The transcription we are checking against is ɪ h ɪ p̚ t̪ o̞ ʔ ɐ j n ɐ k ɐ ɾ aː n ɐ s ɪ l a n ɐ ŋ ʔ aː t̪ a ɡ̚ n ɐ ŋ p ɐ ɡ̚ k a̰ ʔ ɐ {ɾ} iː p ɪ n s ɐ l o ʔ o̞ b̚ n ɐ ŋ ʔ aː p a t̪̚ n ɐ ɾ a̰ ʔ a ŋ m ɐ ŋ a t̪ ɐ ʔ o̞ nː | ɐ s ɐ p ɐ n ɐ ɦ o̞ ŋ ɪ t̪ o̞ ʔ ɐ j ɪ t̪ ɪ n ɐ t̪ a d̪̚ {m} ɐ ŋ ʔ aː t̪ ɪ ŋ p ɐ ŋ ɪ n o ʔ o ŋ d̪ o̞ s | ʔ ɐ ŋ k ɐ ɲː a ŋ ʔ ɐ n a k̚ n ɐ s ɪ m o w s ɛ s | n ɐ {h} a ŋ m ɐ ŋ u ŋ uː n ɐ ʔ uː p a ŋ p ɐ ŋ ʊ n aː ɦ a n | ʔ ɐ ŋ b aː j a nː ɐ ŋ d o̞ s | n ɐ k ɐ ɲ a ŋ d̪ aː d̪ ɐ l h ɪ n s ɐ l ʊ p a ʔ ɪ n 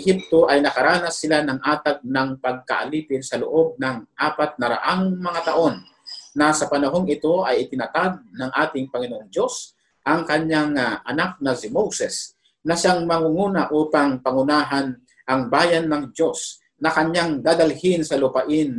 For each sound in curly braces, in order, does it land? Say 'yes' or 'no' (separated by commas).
no, no, no